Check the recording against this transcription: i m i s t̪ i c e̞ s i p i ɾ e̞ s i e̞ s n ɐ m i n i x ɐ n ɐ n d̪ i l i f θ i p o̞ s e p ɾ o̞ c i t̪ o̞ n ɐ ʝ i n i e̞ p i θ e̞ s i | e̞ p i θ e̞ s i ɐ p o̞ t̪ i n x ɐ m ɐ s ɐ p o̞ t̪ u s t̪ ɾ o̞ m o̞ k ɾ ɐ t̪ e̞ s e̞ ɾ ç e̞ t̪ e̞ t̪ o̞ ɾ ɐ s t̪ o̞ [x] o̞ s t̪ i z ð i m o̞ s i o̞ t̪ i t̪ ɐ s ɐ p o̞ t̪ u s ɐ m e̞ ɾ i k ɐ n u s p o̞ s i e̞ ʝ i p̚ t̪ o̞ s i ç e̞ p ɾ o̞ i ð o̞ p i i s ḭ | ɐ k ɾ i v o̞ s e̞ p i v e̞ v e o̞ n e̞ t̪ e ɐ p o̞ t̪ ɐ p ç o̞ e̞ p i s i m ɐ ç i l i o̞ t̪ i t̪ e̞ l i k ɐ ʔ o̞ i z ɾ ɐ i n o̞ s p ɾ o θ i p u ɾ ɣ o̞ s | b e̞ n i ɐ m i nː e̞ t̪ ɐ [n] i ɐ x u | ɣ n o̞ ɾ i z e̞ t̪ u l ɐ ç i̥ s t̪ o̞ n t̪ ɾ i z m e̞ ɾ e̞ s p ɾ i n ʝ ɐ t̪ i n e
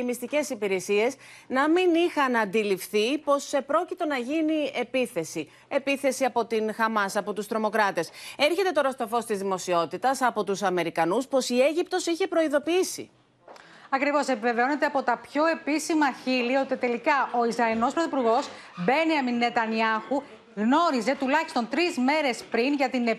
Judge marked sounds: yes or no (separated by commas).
no, yes